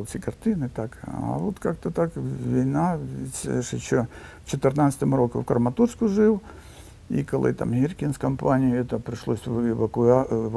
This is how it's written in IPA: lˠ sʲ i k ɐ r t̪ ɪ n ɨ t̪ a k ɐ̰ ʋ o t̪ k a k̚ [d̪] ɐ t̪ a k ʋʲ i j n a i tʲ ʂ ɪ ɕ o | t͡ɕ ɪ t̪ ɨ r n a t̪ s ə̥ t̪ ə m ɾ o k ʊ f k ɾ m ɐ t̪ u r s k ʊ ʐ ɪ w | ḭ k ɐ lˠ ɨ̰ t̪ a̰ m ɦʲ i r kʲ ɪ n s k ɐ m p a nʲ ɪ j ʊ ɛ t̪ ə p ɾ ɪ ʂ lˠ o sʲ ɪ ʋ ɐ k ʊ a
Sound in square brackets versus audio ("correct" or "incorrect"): incorrect